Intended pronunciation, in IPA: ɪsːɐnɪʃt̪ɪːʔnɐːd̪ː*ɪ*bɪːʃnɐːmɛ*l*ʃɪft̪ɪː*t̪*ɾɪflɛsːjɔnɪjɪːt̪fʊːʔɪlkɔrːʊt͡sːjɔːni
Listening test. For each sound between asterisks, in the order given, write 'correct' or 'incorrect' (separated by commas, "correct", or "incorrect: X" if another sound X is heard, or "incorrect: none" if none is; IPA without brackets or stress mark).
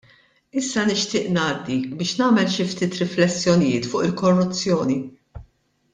incorrect: i, correct, correct